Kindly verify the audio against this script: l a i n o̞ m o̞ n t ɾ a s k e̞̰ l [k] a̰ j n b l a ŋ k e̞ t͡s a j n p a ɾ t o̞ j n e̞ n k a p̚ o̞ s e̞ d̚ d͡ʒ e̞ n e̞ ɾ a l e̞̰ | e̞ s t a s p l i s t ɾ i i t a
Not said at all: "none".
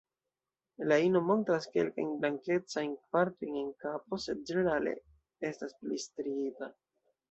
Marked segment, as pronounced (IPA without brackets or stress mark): k